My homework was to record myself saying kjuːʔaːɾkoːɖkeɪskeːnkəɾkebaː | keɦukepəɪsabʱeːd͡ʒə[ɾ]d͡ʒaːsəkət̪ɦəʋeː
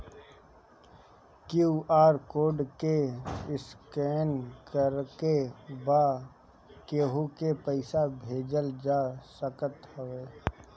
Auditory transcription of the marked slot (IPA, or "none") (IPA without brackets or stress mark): l